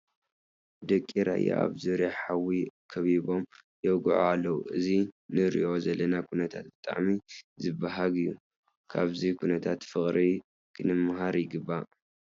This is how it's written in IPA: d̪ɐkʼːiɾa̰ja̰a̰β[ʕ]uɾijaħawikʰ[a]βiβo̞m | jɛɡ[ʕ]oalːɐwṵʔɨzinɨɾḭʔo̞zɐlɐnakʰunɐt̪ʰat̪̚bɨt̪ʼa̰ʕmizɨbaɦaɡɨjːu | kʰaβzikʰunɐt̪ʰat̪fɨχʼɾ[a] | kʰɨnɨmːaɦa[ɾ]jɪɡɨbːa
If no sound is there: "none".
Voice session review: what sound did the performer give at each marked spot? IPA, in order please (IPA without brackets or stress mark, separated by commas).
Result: z, ɐ, ʕ, i, ɾ